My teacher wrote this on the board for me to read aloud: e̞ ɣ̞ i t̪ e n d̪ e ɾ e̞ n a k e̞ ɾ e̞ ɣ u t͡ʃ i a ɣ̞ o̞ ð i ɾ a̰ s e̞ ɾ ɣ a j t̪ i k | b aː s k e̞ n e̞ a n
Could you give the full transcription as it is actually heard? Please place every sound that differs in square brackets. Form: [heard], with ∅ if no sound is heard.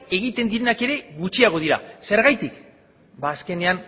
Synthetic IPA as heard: e̞ ɣ̞ i t̪ e n d̪ [i] ɾ e̞ n a k e̞ ɾ e̞ ɣ u t͡ʃ i a ɣ̞ o̞ ð i ɾ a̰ s e̞ ɾ ɣ a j t̪ i k | b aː s k e̞ n e̞ a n